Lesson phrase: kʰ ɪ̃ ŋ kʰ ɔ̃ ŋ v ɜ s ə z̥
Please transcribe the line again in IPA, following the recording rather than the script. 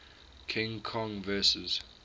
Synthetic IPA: kʰ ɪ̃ ŋ kʰ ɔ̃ ŋ v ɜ s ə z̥